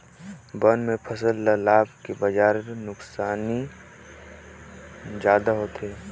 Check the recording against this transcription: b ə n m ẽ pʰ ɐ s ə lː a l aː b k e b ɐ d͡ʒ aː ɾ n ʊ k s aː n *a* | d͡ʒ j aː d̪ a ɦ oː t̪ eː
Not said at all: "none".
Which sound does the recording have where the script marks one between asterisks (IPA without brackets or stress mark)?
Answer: i